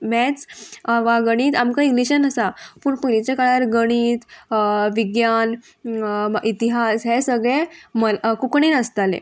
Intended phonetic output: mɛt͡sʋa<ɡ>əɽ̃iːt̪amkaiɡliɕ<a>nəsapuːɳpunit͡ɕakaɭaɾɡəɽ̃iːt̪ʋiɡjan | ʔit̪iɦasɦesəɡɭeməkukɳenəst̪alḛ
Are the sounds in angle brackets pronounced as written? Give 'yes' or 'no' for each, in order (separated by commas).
yes, no